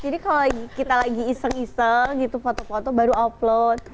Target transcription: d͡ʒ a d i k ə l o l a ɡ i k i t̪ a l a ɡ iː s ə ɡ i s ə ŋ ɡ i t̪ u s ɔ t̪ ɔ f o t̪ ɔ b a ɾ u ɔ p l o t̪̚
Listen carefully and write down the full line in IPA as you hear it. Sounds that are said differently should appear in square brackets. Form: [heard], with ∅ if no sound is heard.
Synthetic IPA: d͡ʒ a d i k [a] l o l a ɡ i k i t̪ a l a ɡ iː s ə [ŋ] i s ə ŋ ɡ i t̪ u [f] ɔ t̪ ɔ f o t̪ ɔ b a ɾ u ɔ p l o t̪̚